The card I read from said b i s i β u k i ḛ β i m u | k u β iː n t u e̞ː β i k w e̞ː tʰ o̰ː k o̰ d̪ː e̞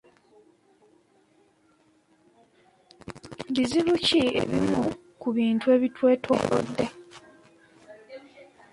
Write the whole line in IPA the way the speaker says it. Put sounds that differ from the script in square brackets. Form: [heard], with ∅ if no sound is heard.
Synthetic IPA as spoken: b i [z] i β u [c] i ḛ β i m u | k u β iː n t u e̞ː β i [t] w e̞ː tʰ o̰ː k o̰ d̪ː e̞

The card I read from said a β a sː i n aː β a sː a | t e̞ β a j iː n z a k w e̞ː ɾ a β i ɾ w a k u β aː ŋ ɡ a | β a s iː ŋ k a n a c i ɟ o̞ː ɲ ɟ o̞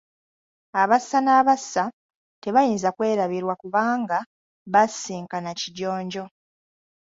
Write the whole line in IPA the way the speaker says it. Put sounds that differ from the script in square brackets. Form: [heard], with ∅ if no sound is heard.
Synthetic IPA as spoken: a β a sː [a] n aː β a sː a | t e̞ β a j iː n z a k w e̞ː ɾ a β i ɾ w a k u β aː ŋ ɡ a | β a s iː ŋ k a n a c i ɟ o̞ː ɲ ɟ o̞

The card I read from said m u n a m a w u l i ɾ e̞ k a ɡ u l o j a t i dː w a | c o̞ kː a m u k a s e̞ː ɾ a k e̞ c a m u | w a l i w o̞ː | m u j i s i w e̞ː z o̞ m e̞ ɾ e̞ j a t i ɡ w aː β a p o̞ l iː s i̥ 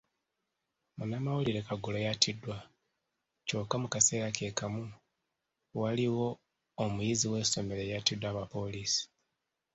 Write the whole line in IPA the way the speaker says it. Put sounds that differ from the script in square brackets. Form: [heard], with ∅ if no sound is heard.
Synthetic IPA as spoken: m u n a m a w u l i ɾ e̞ k a ɡ u l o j a t i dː w a | c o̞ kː a m u k a s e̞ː ɾ a k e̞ [k] a m u | w a l i w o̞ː | m u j i [z] i w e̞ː [s] o̞ m e̞ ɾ e̞ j a t i [d] w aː β a p o̞ l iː s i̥

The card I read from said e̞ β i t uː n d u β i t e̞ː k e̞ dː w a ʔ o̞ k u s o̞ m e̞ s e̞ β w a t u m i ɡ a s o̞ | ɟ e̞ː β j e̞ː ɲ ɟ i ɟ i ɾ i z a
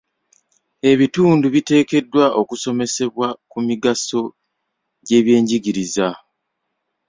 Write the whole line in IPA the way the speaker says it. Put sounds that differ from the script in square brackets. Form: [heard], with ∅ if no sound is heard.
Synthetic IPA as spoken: e̞ β i t uː n d u β i t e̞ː k e̞ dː w a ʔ o̞ k u s o̞ m e̞ s e̞ β w a [k] u m i ɡ a s o̞ | ɟ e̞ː β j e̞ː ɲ ɟ i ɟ i ɾ i z a

